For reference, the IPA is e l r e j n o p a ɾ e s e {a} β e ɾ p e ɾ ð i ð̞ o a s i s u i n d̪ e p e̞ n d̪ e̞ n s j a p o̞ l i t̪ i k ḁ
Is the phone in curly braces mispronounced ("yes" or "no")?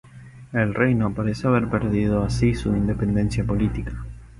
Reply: no